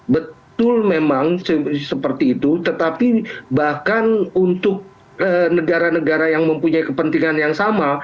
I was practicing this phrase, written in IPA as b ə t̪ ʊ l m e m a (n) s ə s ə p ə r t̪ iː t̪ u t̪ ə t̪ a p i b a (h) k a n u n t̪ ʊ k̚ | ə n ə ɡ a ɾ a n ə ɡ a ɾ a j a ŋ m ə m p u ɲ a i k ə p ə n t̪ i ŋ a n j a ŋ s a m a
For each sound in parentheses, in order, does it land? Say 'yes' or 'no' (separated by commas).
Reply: no, yes